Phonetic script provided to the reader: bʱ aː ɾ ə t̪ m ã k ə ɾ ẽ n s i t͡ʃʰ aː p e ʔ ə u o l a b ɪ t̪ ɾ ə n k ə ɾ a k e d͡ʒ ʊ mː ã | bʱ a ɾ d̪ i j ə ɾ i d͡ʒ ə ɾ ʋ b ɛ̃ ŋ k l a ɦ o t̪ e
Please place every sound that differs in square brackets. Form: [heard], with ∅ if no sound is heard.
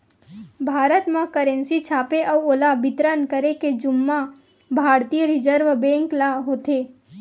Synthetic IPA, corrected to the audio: bʱ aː ɾ ə t̪ m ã k ə ɾ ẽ n s i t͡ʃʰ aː p e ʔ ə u o l a b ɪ t̪ ɾ ə n k ə ɾ [e] k e d͡ʒ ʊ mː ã | bʱ a ɾ [t̪] i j ə ɾ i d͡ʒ ə ɾ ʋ b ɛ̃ ŋ k l a ɦ o t̪ e